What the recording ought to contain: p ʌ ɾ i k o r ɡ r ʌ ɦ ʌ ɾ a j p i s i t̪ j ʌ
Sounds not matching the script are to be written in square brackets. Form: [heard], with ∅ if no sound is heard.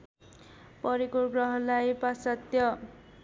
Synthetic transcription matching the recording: p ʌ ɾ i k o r ɡ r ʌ ɦ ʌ [l] a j p [a] s [a] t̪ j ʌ